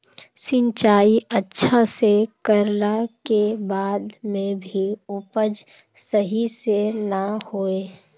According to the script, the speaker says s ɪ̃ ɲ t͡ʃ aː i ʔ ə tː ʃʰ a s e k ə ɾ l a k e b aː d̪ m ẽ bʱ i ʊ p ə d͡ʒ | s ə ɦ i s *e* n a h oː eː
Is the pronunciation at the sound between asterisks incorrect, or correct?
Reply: correct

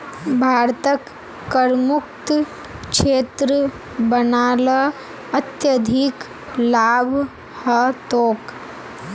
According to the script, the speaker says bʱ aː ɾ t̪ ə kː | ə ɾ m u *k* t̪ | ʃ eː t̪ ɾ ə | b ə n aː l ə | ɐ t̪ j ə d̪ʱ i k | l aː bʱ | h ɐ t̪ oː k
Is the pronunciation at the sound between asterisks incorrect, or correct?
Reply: correct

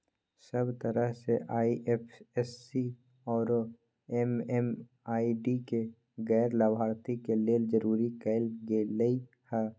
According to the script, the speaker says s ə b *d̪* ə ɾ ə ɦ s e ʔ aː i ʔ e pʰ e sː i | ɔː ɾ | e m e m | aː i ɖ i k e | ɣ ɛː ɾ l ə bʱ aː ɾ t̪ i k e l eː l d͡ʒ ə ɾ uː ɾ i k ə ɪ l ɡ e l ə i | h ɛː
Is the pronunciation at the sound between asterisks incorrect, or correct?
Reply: incorrect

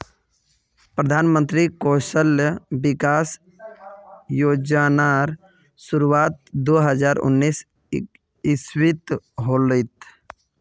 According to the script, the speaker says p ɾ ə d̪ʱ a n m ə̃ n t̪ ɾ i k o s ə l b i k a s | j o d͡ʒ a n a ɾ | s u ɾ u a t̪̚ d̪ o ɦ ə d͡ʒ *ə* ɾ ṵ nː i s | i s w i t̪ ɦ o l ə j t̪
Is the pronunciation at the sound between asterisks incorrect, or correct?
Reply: incorrect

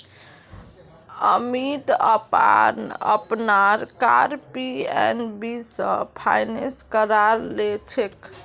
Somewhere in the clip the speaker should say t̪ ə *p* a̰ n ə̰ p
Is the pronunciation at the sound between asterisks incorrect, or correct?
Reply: correct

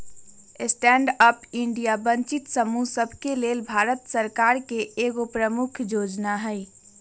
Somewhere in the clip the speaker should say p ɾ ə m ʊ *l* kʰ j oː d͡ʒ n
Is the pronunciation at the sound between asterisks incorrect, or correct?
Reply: incorrect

